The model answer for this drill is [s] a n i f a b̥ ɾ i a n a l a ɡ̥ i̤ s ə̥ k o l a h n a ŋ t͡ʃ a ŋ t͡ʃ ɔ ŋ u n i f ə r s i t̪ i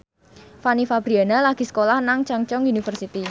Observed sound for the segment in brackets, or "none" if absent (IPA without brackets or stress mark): f